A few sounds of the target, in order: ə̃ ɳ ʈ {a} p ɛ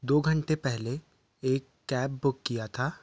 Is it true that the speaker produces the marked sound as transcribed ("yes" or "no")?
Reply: no